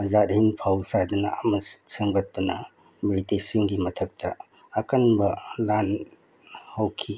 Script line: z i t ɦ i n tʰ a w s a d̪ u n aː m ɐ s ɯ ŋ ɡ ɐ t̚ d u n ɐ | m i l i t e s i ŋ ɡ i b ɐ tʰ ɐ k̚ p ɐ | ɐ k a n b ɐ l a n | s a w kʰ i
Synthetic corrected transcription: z a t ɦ i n pʰ a w s a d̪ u n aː m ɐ s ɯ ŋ ɡ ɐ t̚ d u n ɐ | m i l i t e s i ŋ ɡ i m ɐ tʰ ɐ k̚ t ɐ | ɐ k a n b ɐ l a n | h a w kʰ i